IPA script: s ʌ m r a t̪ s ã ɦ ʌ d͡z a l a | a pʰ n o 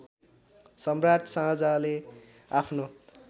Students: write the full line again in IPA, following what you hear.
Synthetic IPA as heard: s ʌ m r a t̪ s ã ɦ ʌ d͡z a l e | a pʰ n o